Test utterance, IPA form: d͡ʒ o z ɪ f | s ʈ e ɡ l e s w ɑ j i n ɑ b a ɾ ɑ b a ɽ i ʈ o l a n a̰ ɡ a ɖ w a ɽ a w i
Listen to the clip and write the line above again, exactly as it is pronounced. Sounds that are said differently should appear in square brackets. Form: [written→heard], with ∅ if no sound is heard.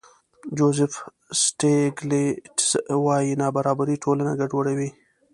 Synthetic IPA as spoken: d͡ʒ o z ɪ f | s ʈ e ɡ l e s w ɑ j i n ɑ b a ɾ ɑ b a [ɽ→ɾ] i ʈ o l a n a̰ ɡ a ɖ w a ɽ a w i